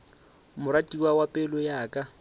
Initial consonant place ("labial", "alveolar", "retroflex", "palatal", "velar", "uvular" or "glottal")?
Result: labial